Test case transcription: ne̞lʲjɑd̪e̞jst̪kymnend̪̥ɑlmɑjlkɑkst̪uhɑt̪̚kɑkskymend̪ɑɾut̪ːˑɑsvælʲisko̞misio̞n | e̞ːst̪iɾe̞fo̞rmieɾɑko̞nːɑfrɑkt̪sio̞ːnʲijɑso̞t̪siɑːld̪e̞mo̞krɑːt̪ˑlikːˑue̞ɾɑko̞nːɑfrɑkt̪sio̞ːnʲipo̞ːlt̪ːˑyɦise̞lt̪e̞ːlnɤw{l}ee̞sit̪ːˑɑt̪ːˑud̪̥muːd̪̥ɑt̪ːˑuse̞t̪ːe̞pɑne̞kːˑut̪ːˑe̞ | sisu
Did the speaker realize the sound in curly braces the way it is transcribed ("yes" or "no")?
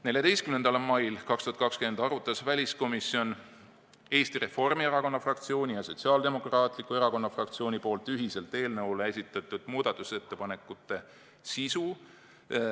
yes